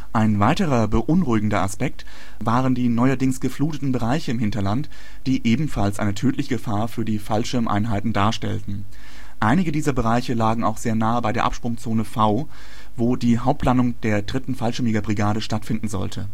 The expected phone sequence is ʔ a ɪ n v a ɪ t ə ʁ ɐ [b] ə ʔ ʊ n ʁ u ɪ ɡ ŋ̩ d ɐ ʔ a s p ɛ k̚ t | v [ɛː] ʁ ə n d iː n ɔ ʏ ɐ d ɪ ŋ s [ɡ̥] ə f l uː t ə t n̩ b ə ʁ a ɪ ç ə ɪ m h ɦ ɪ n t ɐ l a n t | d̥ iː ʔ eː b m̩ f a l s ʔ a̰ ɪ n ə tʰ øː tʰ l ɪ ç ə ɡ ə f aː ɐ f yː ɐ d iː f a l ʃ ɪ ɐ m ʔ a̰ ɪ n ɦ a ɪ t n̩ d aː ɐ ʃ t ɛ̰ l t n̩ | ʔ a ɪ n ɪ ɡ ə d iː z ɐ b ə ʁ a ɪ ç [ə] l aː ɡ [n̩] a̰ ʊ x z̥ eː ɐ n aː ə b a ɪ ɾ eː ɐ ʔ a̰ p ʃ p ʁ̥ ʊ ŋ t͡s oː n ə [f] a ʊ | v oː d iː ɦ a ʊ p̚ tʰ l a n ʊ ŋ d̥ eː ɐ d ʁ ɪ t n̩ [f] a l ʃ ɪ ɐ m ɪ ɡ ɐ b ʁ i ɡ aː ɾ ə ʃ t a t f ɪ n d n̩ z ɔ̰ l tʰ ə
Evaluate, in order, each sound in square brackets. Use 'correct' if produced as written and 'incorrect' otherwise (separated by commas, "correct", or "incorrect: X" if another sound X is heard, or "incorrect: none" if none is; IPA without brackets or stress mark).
correct, incorrect: aː, correct, correct, incorrect: ŋ̩, correct, correct